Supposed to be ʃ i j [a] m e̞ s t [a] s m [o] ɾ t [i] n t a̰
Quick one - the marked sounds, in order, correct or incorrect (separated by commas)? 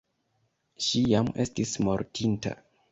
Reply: correct, incorrect, correct, correct